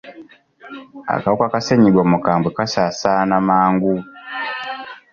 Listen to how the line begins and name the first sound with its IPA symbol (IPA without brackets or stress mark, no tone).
a̰